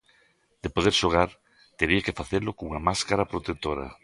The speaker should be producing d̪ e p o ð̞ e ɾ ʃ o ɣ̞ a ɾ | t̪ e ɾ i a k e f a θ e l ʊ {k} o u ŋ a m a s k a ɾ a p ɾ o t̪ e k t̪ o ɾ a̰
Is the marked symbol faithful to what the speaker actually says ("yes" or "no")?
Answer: yes